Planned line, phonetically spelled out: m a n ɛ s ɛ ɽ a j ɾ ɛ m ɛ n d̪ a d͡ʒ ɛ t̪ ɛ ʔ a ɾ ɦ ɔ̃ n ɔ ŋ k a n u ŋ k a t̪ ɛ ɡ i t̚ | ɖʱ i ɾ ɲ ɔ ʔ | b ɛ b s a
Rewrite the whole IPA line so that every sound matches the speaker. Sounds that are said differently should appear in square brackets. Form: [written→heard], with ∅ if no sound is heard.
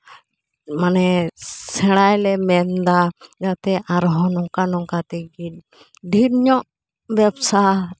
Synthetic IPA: m a n ɛ s ɛ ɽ a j [ɾ→l] ɛ m ɛ n d̪ a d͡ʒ [ɛ→a] t̪ ɛ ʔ a ɾ ɦ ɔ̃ n ɔ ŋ k a n [u→ɔ] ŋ k a t̪ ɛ ɡ i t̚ | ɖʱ i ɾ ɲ ɔ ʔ | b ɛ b s a

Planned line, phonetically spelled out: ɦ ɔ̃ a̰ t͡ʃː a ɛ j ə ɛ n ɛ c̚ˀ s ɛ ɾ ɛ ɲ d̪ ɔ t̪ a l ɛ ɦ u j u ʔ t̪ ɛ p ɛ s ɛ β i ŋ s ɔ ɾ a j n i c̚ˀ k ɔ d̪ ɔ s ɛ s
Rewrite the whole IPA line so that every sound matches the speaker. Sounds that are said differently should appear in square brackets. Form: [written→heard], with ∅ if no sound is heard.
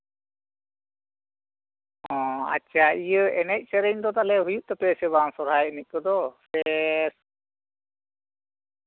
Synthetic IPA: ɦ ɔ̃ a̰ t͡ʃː a [ɛ→i] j ə ɛ n ɛ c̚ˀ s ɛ ɾ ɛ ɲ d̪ ɔ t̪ a l ɛ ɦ u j u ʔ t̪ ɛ p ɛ s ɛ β [i→a] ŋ s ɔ ɾ a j n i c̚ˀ k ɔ d̪ ɔ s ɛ s

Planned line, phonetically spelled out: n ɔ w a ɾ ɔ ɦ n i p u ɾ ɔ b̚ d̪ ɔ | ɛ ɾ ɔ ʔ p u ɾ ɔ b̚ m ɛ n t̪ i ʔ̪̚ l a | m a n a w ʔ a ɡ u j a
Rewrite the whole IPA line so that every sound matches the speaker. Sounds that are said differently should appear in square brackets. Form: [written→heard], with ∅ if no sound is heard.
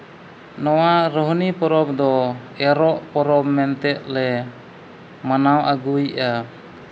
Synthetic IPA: n ɔ w a ɾ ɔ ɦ n i p [u→ɔ] ɾ ɔ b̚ d̪ ɔ | ɛ ɾ ɔ ʔ p [u→ɔ] ɾ ɔ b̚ m ɛ n t̪ [i→ɛ] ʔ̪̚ l [a→ɛ] | m a n a w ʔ a ɡ u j a

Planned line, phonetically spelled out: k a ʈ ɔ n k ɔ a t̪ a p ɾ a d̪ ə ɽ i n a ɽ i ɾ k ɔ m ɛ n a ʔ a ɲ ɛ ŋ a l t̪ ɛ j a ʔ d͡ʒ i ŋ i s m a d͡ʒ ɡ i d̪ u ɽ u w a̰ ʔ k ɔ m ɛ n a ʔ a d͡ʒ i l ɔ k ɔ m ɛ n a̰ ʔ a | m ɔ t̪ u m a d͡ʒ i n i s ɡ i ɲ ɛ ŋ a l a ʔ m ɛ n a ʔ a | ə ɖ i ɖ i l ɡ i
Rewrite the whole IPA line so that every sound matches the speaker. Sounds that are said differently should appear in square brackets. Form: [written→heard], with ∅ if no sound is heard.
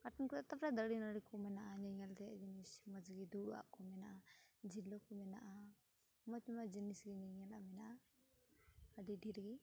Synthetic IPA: k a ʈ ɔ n k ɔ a t̪ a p ɾ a d̪ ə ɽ i n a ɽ i [ɾ→∅] k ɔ m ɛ n a ʔ a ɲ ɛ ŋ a l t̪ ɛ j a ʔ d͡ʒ i [ŋ→n] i s m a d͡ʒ ɡ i d̪ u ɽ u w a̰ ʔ k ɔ m ɛ n a ʔ a d͡ʒ i l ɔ k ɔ m ɛ n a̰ ʔ a | m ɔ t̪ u m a d͡ʒ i n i s ɡ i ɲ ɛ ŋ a l a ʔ m ɛ n a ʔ a | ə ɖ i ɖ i [l→ɾ] ɡ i

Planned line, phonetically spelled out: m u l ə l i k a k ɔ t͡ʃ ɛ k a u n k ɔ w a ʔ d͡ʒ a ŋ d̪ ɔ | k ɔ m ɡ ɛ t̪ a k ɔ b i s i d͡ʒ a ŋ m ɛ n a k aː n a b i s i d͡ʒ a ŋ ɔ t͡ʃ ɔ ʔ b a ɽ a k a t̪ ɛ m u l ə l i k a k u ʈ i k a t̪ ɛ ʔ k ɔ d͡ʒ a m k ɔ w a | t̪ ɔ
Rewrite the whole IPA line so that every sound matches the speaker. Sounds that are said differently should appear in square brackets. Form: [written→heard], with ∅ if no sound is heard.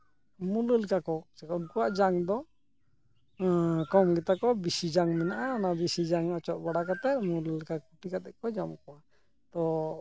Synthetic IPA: m u l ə l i k a k ɔ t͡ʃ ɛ k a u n k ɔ w a ʔ d͡ʒ a ŋ d̪ ɔ | k ɔ m ɡ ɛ t̪ a k ɔ b i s i d͡ʒ a ŋ m ɛ n a [k→ʔ] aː n a b i s i d͡ʒ a ŋ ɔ t͡ʃ ɔ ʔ b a ɽ a k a t̪ ɛ m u l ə l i k a k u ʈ i k a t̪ ɛ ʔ k ɔ d͡ʒ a m k ɔ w a | t̪ ɔ

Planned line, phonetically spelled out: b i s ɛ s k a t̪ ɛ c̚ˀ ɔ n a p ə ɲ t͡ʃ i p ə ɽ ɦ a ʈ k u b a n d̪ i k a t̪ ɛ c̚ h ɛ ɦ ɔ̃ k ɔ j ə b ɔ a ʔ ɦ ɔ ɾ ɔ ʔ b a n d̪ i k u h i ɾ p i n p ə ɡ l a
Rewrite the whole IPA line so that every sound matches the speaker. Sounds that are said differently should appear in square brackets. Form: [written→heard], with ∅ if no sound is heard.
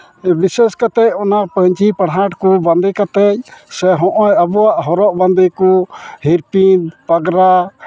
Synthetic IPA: b i s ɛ s k a t̪ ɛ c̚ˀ ɔ n a p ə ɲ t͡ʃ i p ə ɽ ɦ a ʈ k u b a n d̪ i k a t̪ ɛ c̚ [h→s] ɛ ɦ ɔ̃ [k→ʔ] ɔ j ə b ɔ a ʔ ɦ ɔ ɾ ɔ ʔ b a n d̪ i k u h i ɾ p i n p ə ɡ [l→ɾ] a

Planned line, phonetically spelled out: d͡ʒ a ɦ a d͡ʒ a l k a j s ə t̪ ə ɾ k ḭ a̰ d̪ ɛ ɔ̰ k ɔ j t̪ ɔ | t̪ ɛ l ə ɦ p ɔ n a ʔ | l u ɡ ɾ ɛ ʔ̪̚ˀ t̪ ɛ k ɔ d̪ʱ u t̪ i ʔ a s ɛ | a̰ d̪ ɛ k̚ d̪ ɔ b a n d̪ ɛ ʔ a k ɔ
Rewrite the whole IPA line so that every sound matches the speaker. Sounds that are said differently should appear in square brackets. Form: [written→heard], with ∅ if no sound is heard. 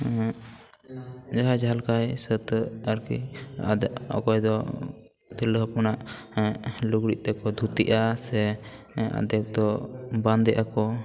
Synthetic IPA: d͡ʒ a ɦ a d͡ʒ a l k a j s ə t̪ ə ɾ k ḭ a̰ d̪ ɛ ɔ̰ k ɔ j [t̪→d̪] ɔ | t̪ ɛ l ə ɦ p ɔ n a ʔ | l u ɡ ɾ [ɛ→i] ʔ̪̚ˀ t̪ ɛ k ɔ d̪ʱ u t̪ i ʔ a s ɛ | a̰ d̪ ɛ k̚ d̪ ɔ b a n d̪ ɛ ʔ a k ɔ

